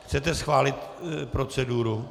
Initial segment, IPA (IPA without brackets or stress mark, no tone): x